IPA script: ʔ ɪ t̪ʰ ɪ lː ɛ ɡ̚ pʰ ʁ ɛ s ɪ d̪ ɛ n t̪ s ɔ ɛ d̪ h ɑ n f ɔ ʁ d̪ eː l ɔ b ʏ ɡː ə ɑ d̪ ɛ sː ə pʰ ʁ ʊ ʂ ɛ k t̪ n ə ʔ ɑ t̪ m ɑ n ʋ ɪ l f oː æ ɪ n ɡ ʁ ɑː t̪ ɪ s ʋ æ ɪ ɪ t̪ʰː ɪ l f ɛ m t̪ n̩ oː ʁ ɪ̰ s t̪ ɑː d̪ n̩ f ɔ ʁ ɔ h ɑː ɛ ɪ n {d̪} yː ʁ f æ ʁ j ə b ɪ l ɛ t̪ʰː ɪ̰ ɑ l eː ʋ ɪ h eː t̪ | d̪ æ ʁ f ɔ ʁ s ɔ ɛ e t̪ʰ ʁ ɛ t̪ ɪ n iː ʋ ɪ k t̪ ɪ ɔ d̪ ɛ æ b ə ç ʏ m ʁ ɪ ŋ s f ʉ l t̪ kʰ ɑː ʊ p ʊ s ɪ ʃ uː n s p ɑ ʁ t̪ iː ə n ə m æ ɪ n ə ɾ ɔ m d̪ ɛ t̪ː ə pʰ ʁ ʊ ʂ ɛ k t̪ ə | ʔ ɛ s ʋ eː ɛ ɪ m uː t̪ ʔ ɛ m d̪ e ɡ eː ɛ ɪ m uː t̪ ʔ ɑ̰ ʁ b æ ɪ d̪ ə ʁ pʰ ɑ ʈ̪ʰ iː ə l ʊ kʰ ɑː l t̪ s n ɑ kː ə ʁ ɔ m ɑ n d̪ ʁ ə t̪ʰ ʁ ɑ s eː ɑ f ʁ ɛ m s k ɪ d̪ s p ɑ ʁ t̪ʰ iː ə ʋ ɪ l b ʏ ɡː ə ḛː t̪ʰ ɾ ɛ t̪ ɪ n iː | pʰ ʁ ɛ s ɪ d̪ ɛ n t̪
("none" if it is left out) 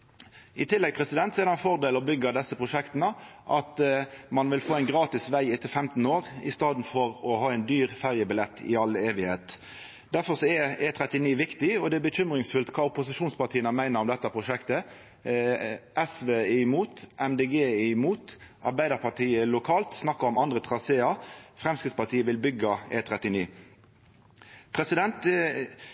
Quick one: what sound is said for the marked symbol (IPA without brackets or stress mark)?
d̪